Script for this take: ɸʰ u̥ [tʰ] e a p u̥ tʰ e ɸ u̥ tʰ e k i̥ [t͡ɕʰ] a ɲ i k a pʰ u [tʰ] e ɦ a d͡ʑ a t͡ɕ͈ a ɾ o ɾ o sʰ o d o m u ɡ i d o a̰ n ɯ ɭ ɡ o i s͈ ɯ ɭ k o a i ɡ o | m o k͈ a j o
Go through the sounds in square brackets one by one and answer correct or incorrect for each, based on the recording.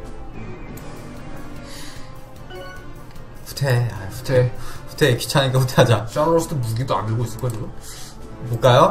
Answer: correct, correct, correct

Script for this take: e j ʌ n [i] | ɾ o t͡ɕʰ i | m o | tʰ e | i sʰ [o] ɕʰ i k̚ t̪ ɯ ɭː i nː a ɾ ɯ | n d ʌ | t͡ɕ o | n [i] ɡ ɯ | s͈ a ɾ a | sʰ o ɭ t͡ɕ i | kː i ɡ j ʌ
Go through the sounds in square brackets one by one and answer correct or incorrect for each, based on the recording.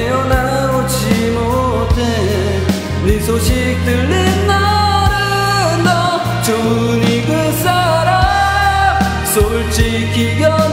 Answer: incorrect: a, correct, correct

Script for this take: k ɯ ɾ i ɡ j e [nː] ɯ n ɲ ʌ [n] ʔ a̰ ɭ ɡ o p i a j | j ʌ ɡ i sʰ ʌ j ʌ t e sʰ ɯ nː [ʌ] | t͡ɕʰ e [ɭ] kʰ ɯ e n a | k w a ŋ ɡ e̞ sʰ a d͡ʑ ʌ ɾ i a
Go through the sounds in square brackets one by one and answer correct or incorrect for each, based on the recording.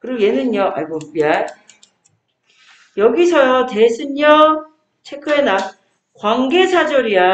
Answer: incorrect: n, incorrect: none, correct, incorrect: none

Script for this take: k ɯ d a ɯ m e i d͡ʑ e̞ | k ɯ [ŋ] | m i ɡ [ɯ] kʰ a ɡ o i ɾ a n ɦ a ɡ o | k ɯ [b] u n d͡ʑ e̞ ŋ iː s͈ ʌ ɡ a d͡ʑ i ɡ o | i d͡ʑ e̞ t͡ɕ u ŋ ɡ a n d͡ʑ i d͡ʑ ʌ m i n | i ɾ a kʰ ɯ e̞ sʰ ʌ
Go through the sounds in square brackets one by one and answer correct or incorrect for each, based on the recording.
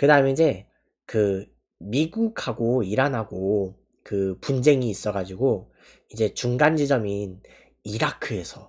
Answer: incorrect: none, incorrect: u, incorrect: p

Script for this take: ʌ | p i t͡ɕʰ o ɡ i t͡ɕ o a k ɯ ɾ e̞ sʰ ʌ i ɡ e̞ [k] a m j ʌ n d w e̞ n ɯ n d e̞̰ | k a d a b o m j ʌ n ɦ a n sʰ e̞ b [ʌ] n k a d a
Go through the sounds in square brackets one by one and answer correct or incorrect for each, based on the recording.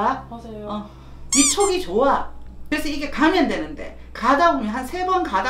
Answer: correct, correct

